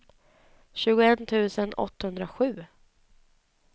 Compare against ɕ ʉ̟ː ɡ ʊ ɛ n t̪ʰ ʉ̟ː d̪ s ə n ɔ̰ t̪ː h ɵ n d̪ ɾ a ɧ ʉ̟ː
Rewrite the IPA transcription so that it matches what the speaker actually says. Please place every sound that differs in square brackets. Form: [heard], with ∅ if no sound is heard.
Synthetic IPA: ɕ ʉ̟ː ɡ ʊ ɛ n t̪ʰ ʉ̟ː [∅] s ə n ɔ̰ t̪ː h ɵ n d̪ ɾ a ɧ ʉ̟ː